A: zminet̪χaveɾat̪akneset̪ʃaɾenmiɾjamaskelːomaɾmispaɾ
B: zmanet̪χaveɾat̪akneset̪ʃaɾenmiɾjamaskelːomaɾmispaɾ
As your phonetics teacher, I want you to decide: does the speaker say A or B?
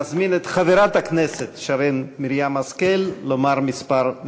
A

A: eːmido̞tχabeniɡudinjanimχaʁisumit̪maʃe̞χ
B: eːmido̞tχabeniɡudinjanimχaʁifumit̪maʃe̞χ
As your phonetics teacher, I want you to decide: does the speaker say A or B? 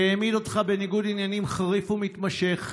B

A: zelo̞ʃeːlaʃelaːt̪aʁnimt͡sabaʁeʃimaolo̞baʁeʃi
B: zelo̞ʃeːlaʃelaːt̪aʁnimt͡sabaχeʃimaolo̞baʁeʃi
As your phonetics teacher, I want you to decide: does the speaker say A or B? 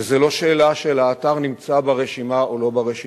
A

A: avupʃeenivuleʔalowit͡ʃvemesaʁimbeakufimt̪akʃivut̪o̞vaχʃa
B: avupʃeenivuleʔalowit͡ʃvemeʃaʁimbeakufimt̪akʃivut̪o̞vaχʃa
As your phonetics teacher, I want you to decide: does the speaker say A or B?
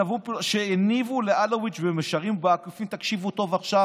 B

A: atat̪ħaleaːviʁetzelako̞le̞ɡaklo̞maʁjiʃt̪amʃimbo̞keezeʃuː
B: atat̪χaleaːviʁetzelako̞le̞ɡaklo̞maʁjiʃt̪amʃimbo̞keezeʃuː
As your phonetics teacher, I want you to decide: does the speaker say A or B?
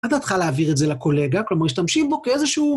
B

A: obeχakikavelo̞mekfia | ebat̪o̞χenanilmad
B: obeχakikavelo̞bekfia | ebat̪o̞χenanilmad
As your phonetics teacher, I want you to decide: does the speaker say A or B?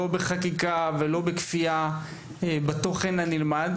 B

